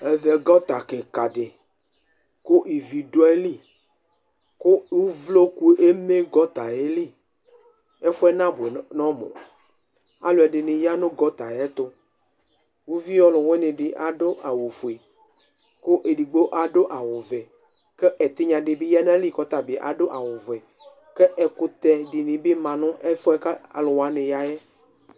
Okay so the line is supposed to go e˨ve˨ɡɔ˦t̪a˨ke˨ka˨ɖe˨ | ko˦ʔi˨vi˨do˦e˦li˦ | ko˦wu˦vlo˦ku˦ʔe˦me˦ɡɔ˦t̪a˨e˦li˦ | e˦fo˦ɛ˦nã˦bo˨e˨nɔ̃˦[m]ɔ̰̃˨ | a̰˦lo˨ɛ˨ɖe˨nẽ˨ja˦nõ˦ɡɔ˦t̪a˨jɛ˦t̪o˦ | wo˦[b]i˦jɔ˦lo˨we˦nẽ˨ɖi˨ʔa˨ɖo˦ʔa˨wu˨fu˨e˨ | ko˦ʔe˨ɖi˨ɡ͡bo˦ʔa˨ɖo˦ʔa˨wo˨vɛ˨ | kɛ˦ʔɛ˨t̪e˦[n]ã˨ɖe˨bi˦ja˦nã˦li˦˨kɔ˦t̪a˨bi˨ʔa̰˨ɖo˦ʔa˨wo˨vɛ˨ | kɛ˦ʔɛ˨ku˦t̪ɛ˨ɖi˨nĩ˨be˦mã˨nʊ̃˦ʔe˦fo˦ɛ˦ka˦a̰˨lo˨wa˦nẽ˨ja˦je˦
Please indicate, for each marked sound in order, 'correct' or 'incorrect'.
correct, incorrect, incorrect

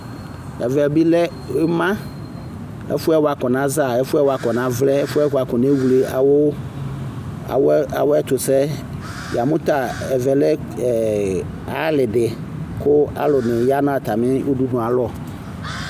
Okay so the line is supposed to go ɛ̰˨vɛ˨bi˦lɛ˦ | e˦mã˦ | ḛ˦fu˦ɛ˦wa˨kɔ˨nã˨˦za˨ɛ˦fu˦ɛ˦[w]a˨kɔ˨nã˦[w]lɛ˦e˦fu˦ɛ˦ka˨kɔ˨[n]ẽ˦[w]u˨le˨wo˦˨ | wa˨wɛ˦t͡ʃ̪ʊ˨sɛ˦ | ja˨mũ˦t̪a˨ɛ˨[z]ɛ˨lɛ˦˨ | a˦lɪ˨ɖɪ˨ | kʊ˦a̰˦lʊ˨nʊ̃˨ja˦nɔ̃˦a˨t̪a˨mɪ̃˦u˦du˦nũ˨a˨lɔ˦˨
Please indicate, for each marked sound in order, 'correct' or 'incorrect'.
correct, incorrect, correct, correct, incorrect

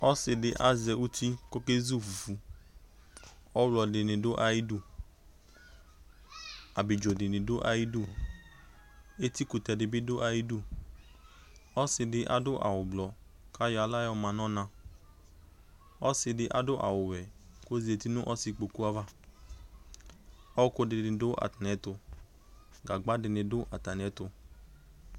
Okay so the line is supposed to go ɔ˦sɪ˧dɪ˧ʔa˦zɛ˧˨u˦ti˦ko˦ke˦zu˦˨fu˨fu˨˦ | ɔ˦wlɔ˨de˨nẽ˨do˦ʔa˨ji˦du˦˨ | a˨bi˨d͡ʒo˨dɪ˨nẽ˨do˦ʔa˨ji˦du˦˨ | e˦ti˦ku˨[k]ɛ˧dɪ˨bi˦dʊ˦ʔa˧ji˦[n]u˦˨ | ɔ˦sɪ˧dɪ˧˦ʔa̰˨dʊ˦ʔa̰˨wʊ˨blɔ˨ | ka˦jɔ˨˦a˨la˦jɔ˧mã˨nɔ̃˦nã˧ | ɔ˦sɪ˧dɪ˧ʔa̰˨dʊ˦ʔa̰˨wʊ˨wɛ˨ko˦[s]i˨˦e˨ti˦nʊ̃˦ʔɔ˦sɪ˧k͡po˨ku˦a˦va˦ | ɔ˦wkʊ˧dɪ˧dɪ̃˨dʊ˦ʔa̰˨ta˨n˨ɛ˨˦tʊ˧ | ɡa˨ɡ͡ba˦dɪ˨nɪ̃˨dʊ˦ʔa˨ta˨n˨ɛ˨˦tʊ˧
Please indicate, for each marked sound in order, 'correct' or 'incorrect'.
incorrect, incorrect, incorrect

